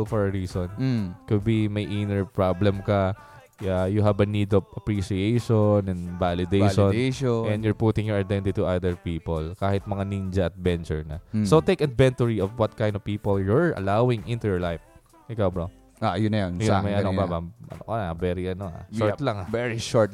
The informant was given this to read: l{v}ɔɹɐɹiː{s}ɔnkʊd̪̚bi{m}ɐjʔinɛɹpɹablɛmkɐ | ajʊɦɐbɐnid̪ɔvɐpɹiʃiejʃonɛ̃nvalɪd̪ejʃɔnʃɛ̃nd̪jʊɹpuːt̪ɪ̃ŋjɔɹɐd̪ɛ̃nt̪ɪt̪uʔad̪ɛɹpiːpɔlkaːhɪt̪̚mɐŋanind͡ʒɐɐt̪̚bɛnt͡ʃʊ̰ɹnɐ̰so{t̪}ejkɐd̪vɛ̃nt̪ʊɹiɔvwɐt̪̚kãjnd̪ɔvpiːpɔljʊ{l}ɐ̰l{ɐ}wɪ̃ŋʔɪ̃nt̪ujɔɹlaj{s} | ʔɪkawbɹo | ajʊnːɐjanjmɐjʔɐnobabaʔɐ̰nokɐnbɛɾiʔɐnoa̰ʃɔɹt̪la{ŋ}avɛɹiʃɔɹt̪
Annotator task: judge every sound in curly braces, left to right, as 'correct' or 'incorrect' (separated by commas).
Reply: incorrect, correct, correct, correct, incorrect, incorrect, incorrect, correct